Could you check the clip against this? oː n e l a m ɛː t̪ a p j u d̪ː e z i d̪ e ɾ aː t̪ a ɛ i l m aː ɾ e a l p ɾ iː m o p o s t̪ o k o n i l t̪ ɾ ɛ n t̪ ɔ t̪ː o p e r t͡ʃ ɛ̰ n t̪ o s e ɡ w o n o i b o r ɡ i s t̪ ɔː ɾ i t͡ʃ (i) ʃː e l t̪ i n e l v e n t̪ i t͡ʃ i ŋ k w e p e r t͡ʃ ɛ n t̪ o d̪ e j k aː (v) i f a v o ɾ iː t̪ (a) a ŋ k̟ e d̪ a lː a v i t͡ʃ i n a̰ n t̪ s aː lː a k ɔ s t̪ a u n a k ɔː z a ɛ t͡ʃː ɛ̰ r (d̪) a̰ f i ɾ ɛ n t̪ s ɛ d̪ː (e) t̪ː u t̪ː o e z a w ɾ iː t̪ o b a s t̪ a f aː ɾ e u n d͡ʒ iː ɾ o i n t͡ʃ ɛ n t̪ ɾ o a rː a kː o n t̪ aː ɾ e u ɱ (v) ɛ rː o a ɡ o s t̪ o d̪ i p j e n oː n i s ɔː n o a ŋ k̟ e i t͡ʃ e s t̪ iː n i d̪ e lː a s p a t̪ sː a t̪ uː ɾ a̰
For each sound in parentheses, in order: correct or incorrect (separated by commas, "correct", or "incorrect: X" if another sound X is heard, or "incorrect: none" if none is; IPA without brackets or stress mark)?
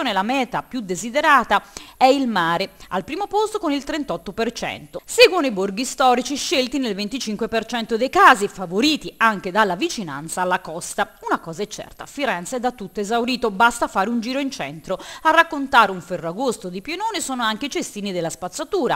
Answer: correct, incorrect: z, incorrect: i, incorrect: t̪, incorrect: a, incorrect: f